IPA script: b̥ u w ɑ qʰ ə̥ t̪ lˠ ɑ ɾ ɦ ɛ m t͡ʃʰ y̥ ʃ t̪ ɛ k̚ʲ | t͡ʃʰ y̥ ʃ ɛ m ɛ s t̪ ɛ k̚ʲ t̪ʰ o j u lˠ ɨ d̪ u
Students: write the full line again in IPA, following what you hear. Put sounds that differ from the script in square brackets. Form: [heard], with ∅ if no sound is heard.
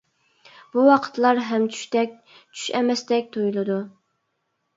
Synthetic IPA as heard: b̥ u w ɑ qʰ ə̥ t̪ lˠ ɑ ɾ ɦ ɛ m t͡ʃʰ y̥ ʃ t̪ ɛ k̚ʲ | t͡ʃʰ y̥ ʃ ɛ m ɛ s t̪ ɛ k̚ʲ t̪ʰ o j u lˠ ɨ d̪ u